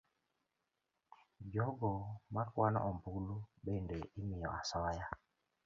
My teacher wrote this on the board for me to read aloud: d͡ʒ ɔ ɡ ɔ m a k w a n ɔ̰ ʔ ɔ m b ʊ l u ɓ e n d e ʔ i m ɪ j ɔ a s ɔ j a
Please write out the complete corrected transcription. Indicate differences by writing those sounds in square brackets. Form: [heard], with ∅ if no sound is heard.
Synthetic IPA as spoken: d͡ʒ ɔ ɡ ɔ m a k w a n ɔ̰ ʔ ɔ m b [u] l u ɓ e n d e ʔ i m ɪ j ɔ a s ɔ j a